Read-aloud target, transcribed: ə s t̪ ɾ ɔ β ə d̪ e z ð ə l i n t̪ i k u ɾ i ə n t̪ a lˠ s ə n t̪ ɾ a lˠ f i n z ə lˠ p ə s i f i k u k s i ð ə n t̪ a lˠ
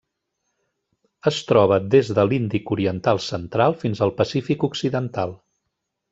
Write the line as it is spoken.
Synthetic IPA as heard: ə s t̪ ɾ ɔ β ə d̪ e z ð ə l i n d̪ i k u ɾ i ə n t̪ a lˠ s ə n t̪ ɾ a lˠ f i n z ə lˠ p ə s i f i k u k s i ð ə n t̪ a lˠ

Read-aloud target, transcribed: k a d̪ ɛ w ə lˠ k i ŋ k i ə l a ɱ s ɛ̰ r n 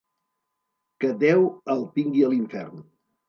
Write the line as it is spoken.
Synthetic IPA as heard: k ə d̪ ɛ w ə lˠ p i ŋ ɡ i ə l i ɱ f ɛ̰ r n

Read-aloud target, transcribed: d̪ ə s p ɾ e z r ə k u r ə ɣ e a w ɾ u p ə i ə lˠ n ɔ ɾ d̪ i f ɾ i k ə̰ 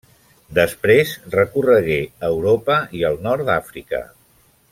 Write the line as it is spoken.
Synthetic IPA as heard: d̪ ə s p ɾ e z r ə k u r ə ɣ e ə w ɾ o p ə i ə lˠ n ɔ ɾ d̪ a f ɾ i k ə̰

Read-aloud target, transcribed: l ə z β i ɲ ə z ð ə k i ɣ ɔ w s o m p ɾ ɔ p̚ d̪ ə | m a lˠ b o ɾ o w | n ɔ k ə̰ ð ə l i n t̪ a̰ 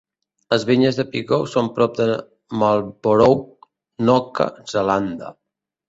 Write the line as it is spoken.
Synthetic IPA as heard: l ə z β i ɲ ə z ð ə p i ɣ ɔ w s o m p ɾ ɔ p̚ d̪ ə | m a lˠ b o ɾ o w | n ɔ k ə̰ z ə l a n d̪ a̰

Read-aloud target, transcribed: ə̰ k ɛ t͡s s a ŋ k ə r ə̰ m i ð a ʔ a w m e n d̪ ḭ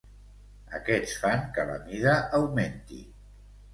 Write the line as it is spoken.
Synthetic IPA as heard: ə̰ k ɛ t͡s f a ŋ k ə l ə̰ m i ð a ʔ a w m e n t̪ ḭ

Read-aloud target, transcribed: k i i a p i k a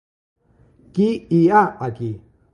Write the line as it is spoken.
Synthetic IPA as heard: k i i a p a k i

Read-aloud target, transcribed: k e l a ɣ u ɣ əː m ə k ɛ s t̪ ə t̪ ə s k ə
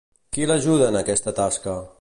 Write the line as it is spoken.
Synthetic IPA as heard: k i l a ʒ u ð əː n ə k ɛ s t̪ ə t̪ a s k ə

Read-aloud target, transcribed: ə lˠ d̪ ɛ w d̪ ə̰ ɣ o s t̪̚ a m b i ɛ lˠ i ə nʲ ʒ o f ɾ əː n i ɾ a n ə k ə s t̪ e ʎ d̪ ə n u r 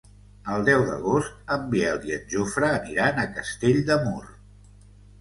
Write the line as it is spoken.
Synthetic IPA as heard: ə lˠ d̪ ɛ w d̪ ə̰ ɣ o s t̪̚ ə m b i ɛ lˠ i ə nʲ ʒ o f ɾ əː n i ɾ a n ə k ə s t̪ e ʎ d̪ ə m u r

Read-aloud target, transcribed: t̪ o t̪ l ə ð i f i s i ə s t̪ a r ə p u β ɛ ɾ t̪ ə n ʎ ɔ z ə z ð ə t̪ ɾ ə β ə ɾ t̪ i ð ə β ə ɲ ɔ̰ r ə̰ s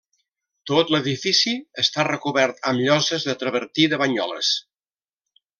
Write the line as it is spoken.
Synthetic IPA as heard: t̪ o t̪ l ə ð i f i s i ə s t̪ a r ə k u β ɛ ɾ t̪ ə m ʎ ɔ z ə z ð ə t̪ ɾ ə β ə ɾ t̪ i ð ə β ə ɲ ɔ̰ l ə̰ s

